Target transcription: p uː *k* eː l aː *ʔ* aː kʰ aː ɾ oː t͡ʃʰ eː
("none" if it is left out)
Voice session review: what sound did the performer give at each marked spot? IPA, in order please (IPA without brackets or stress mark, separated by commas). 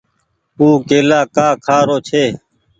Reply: k, k